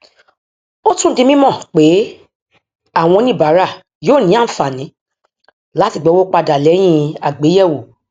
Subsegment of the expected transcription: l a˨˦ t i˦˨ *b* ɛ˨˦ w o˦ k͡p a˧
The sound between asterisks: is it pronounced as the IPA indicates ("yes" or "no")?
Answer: no